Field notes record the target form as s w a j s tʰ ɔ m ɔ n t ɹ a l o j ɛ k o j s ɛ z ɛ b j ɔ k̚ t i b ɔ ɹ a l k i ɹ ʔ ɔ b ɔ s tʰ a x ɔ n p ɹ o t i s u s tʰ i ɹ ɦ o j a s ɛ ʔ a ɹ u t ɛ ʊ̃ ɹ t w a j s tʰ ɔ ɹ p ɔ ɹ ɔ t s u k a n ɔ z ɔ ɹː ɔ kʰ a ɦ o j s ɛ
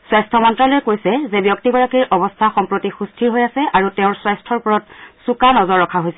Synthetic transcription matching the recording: s w a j s tʰ ɔ m ɔ n t ɹ a l o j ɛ k o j s ɛ z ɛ b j ɔ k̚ t i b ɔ ɹ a k i ɹ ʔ ɔ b ɔ s tʰ a x ɔ m p ɹ o t i x u s tʰ i ɹ ɦ o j a s ɛ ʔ a ɹ u t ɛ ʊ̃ ɹ s w a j s tʰ ɔ ɹ p ɔ ɹ ɔ t s u k a n ɔ z ɔ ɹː ɔ kʰ a ɦ o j s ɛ

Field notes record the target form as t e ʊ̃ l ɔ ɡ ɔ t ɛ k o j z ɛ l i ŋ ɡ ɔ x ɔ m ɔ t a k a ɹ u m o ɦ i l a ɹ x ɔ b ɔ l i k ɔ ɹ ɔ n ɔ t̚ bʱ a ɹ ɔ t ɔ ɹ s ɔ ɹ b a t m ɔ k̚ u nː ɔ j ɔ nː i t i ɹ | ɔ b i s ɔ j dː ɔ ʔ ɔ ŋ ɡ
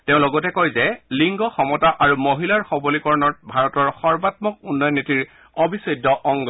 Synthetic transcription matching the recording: t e ʊ̃ l ɔ ɡ ɔ t ɛ k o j z ɛ l i ŋ ɡ ɔ x ɔ m ɔ t a ʔ a ɹ u m o ɦ i l a ɹ x ɔ b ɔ l i k ɔ ɹ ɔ n ɔ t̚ bʱ a ɹ ɔ t ɔ ɹ x ɔ ɹ b a t m ɔ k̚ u nː ɔ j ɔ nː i t i ɹ | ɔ b i s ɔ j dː ɔ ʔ ɔ ŋ ɡ

